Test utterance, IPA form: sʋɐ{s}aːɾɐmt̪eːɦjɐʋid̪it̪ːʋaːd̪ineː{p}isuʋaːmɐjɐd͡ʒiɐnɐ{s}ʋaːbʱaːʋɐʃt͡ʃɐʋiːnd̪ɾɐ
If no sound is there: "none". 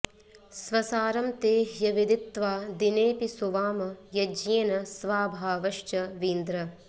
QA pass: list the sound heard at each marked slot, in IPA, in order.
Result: s, p, s

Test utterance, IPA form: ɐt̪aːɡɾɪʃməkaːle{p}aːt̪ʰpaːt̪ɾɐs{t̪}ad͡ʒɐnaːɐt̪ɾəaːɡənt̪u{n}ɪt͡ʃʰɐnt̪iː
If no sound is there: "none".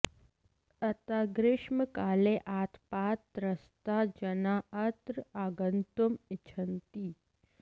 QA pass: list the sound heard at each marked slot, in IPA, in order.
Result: ʔ, t̪, m

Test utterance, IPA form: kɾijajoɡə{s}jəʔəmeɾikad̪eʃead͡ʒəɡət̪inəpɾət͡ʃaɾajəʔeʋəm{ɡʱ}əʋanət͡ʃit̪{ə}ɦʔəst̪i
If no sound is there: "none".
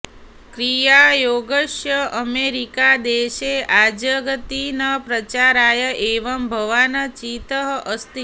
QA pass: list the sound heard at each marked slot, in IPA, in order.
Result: ʃ, bʱ, ə

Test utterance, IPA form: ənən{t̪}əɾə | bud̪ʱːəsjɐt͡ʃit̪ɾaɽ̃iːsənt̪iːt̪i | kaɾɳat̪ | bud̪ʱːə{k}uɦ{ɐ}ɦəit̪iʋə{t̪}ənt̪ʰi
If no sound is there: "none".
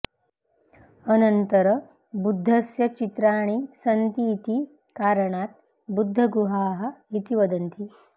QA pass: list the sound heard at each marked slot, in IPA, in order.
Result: t̪, ɡ, a, d̪

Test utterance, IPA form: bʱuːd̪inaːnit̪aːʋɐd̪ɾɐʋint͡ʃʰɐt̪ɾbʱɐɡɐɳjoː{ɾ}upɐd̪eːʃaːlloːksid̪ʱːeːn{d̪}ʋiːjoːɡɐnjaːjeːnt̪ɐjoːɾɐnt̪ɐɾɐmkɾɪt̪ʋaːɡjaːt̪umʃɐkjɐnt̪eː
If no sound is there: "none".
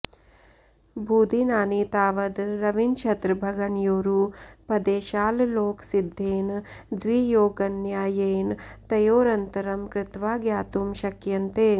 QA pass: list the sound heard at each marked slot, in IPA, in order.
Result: ɾ, d̪

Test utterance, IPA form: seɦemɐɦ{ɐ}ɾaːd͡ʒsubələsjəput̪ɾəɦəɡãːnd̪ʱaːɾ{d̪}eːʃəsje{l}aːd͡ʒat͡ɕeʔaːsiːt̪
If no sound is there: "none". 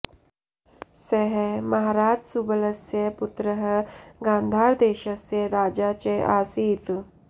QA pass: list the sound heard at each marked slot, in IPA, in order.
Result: a, d̪, ɾ

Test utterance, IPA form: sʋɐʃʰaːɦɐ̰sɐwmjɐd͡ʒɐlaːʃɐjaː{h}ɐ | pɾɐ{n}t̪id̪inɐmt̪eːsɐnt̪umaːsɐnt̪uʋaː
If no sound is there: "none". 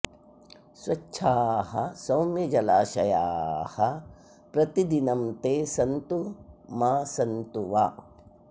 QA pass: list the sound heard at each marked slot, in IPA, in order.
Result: h, none

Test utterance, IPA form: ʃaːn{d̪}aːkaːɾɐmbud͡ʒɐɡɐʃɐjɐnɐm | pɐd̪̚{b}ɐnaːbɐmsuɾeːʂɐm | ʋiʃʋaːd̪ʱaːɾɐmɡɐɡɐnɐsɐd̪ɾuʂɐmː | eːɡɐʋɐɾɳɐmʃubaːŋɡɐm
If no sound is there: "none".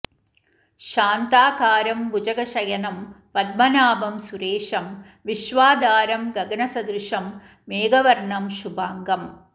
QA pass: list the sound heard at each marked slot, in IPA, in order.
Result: t̪, m

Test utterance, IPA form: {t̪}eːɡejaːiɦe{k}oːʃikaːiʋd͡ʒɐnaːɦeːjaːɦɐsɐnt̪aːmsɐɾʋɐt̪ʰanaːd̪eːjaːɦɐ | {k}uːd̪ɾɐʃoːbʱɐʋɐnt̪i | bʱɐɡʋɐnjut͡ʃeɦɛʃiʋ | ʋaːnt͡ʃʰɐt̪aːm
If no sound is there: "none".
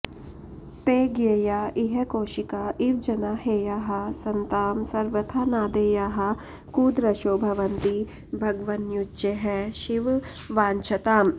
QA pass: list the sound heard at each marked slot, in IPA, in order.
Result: t̪, k, k

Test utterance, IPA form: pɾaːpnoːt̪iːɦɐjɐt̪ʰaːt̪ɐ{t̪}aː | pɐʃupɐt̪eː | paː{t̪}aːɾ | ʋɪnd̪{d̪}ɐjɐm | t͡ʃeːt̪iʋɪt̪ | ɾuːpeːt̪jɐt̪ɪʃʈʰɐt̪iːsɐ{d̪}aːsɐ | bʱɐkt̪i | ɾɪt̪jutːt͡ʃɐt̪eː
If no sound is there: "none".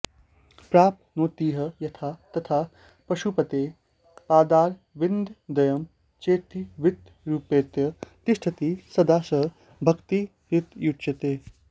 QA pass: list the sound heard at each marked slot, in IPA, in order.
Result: t̪ʰ, d̪, d̪, d̪

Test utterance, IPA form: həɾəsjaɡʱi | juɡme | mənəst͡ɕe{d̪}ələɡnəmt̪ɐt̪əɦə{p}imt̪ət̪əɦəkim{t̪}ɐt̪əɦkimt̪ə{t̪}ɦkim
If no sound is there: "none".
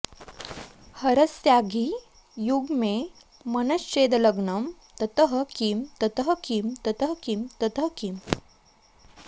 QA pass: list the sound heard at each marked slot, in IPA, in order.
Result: d̪, k, t̪, t̪

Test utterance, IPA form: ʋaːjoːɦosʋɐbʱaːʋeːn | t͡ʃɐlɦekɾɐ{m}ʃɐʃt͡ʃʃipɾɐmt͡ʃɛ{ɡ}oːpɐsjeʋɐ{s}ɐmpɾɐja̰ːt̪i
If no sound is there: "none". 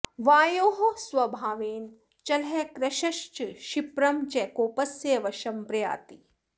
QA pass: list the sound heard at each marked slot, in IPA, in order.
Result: none, k, ʃ

